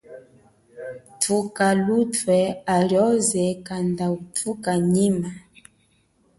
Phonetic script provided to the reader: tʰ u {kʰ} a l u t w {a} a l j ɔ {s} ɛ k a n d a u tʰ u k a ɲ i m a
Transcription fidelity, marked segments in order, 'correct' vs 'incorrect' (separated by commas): incorrect, incorrect, incorrect